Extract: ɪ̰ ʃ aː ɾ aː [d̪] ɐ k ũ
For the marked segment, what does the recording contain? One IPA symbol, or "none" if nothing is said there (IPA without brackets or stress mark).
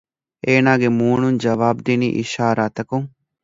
t̪